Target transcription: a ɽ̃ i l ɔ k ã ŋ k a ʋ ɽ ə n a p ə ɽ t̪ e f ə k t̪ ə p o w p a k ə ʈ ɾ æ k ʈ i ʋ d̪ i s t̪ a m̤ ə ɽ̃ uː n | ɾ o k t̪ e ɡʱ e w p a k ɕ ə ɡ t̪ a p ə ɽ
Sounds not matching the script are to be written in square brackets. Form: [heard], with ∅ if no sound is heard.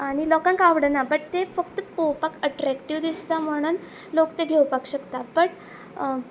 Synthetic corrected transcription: a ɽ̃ i l ɔ k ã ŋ k a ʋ ɽ ə n a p ə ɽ t̪ e f ə k t̪ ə p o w p a k ə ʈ ɾ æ k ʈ i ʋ d̪ i s t̪ a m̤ ə ɽ̃ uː n | [l] o k t̪ e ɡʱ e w p a k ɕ ə [k] t̪ a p ə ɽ